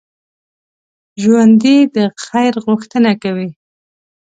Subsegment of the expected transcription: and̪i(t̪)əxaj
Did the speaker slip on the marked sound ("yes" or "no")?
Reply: yes